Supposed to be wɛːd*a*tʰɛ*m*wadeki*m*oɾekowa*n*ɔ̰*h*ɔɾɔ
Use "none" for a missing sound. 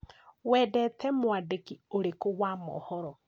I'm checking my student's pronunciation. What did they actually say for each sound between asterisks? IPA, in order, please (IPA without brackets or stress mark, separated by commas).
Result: ɛ, m, none, m, h